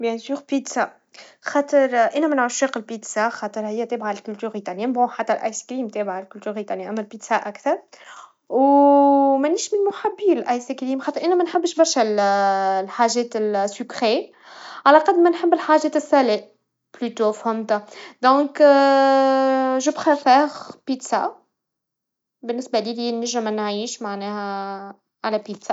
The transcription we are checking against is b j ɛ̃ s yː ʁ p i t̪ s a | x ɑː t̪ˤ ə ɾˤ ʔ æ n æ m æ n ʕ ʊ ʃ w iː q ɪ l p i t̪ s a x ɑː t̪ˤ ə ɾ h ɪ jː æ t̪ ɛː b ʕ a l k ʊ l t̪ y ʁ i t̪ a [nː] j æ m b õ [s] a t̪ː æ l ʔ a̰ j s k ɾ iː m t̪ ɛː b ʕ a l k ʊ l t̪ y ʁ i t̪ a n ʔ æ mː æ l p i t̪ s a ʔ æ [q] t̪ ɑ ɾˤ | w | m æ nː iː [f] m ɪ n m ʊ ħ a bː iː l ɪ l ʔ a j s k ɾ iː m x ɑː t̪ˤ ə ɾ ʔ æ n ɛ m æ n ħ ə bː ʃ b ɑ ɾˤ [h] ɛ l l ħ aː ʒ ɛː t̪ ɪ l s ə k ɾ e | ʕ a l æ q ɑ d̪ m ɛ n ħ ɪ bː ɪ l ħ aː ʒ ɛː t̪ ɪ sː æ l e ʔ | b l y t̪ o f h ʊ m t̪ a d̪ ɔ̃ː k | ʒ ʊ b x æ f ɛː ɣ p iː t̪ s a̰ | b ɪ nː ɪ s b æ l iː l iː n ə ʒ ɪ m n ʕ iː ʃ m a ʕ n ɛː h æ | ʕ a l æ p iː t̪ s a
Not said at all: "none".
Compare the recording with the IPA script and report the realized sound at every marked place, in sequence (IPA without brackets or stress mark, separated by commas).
n, ħ, k, ʃ, ʃ